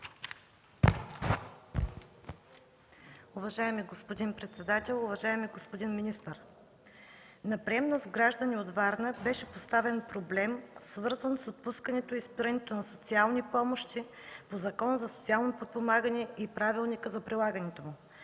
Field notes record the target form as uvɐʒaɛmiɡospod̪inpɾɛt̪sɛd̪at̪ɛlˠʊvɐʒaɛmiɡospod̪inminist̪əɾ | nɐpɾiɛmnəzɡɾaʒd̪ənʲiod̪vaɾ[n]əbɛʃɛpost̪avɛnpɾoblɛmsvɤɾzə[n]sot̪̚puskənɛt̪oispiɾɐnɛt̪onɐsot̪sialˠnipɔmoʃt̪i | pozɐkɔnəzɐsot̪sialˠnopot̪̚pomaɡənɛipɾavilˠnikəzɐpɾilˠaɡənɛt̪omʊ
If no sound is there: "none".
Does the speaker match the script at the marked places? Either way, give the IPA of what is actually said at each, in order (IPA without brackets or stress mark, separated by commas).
n, n